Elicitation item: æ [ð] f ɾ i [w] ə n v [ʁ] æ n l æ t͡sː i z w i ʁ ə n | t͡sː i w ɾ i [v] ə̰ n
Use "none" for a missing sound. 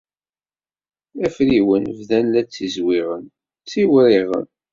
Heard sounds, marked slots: none, w, ð, ʁ

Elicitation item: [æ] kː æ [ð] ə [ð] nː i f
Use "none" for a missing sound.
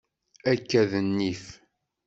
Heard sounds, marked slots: æ, ð, none

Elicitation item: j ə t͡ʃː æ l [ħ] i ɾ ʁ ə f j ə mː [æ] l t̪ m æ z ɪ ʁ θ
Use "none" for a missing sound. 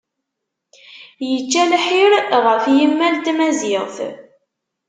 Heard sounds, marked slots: ħ, æ

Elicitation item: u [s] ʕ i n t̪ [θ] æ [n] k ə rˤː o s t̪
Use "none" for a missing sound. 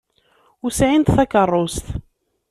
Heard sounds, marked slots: s, θ, none

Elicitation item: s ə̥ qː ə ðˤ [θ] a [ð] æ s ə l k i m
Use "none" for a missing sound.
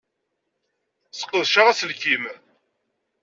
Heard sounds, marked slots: ʃ, ʁ

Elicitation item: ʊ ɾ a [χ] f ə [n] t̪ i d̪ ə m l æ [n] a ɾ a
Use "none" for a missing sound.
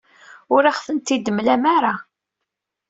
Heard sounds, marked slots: χ, n, m

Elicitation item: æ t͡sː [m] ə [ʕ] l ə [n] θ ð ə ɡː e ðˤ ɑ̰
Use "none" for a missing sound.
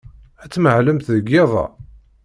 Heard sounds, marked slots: m, ʕ, m

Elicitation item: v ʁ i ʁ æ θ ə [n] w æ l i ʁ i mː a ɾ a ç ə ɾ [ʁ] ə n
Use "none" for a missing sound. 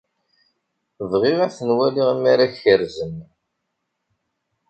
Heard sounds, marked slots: n, z

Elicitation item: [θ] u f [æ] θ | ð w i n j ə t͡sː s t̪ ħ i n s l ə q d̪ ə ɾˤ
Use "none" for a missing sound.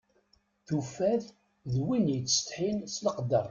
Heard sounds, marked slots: θ, æ

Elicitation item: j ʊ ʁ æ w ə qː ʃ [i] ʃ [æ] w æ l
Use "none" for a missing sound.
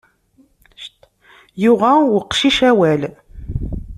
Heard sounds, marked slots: i, æ

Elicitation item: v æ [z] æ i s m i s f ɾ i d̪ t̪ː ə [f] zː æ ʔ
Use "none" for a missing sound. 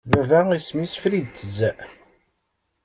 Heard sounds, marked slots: v, none

